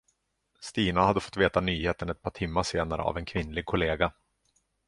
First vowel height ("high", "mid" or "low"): high